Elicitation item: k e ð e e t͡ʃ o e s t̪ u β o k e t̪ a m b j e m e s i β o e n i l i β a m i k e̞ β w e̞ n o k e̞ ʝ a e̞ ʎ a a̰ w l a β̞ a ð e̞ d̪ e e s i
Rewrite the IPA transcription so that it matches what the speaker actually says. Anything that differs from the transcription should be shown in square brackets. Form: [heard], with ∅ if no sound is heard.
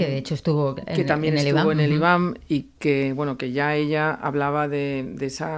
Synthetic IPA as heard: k e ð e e t͡ʃ o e s t̪ u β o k e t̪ a m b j e [n] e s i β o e n [e] l i β a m i k e̞ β w e̞ n o k e̞ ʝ a e̞ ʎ a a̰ [β] l a β̞ a ð e̞ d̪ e e s [a]